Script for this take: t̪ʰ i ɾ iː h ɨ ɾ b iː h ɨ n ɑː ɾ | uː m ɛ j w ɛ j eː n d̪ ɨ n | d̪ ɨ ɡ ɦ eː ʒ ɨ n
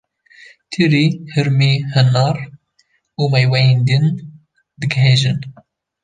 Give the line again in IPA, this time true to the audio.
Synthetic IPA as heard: t̪ʰ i ɾ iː h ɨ ɾ m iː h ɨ n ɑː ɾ | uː m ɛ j w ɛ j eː n d̪ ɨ n | d̪ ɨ ɡ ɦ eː ʒ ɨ n